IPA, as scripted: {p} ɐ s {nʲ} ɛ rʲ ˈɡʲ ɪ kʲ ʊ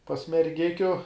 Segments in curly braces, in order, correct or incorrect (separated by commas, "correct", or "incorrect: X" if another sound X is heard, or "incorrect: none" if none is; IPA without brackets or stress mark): correct, incorrect: mʲ